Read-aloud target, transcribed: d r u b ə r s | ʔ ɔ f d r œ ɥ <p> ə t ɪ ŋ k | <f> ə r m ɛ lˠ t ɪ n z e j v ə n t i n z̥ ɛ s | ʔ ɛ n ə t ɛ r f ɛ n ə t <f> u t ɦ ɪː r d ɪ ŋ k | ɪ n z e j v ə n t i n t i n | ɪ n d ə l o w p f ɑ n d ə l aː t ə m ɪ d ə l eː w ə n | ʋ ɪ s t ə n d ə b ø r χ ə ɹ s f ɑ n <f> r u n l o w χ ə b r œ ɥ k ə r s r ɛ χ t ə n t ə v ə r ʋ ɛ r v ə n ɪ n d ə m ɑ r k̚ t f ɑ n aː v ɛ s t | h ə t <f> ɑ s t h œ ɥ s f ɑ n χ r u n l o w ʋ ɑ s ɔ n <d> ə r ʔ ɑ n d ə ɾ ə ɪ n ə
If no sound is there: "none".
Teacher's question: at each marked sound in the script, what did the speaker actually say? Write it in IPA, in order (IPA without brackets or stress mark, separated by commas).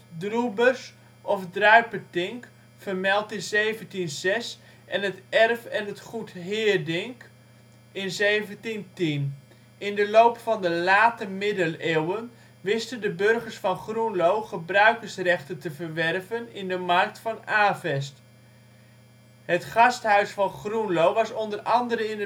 p, f, χ, χ, χ, d